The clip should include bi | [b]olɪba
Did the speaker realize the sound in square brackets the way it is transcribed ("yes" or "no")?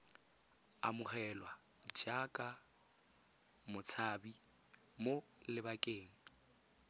no